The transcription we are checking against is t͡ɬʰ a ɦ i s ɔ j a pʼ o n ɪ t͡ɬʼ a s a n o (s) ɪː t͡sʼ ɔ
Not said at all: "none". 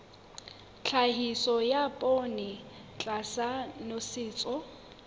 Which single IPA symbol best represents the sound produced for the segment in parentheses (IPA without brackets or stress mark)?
s